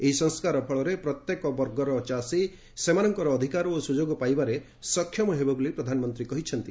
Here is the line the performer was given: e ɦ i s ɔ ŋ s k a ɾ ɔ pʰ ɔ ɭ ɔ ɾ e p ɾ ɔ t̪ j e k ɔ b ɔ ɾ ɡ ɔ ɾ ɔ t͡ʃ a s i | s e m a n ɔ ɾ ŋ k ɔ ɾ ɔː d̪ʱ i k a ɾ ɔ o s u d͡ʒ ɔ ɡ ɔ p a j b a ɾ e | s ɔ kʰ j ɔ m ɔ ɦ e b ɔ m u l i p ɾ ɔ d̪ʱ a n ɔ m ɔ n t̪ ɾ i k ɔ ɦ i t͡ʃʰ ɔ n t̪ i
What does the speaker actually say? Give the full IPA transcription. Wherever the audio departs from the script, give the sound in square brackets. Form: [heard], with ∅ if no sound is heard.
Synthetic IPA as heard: e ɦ i s ɔ ŋ s k a ɾ ɔ pʰ ɔ ɭ ɔ ɾ e p ɾ ɔ t̪ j e k ɔ b ɔ ɾ ɡ ɔ ɾ ɔ t͡ʃ a s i | s e m a n ɔ [∅] ŋ k ɔ ɾ ɔː d̪ʱ i k a ɾ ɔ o s u d͡ʒ [o] ɡ ɔ p a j b a ɾ e | s ɔ kʰ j ɔ m ɔ ɦ e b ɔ [b] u l i p ɾ ɔ d̪ʱ a n ɔ m ɔ n t̪ ɾ i k ɔ ɦ i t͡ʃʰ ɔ n t̪ i